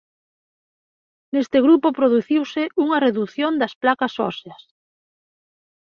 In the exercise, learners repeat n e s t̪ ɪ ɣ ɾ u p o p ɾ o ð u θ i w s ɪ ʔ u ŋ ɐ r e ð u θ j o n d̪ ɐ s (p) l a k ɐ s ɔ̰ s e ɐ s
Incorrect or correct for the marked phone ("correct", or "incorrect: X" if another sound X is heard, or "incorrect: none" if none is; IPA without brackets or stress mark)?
correct